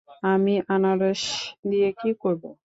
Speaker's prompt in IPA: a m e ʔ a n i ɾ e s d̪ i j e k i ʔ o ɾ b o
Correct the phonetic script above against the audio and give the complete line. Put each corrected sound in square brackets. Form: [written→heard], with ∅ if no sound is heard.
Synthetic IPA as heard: a m [e→i] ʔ a n [i→a] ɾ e [s→ʃ] d̪ i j e k i [ʔ→k] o ɾ b o